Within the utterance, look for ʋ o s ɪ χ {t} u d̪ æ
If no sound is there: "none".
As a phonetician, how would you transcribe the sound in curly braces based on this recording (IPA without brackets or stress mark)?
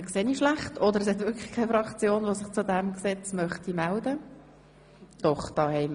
t͡s